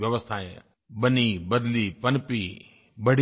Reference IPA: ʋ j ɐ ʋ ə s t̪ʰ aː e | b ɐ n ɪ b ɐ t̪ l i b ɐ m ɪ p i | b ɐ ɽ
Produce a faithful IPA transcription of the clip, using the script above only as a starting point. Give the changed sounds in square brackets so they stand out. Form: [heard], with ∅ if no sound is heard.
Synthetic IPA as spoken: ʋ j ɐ ʋ ə s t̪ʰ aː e | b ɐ n [i] b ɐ [d̪] l i [p] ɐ [n] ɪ p i | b ɐ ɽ